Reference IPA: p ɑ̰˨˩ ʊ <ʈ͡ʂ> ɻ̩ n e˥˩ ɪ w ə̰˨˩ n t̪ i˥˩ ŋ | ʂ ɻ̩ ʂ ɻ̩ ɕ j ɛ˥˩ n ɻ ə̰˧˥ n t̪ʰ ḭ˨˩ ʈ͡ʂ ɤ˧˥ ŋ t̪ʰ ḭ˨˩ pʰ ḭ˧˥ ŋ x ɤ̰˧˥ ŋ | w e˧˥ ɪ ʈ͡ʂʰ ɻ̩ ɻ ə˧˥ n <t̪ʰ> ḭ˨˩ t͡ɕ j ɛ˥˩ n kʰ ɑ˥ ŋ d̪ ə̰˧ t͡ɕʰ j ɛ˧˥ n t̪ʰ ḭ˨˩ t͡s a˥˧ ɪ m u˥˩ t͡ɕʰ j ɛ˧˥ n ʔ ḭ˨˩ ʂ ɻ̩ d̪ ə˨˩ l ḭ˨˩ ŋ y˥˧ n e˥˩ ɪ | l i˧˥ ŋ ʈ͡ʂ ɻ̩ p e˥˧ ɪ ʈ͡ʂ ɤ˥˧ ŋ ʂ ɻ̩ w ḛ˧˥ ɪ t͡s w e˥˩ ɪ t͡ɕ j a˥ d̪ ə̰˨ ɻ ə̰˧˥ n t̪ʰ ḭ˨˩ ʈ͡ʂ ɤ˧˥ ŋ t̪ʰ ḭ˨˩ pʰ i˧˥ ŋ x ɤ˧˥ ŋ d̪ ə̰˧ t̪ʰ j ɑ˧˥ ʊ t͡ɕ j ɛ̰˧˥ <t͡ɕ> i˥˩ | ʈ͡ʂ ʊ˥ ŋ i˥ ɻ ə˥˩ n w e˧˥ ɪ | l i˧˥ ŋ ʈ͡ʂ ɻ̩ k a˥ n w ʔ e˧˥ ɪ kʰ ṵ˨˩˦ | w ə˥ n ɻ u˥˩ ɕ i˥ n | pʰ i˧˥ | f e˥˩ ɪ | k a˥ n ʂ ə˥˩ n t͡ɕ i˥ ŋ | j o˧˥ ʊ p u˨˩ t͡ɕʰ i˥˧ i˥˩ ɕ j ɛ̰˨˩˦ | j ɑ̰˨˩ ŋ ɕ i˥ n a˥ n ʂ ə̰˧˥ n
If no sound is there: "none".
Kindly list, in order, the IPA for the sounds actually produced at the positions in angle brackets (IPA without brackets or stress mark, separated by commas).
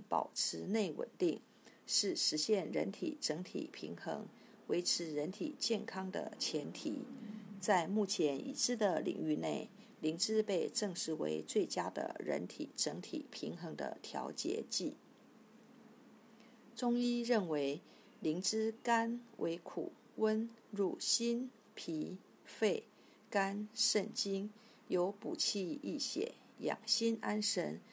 ʈ͡ʂʰ, t̪ʰ, t͡ɕ